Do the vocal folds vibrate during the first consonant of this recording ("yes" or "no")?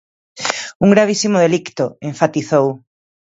yes